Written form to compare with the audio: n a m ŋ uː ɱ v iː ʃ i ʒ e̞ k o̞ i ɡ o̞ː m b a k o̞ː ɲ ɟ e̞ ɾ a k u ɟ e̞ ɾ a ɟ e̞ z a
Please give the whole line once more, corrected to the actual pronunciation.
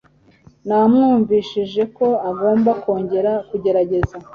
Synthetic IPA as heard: n a m ŋ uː ɱ v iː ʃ i ʒ e̞ k o̞ a ɡ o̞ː m b a k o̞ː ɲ ɟ e̞ ɾ a k u ɟ e̞ ɾ a ɟ e̞ z a